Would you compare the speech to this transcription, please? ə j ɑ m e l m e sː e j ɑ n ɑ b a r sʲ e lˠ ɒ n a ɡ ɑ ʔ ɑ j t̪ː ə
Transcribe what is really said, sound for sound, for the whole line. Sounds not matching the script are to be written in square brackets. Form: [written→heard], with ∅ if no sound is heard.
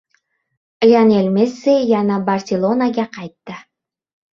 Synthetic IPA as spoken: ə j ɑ [m→n] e l m e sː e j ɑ n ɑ b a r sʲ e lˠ [ɒ→o] n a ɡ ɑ [ʔ→q] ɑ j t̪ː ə